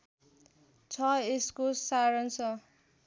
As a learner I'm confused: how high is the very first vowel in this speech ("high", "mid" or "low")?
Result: mid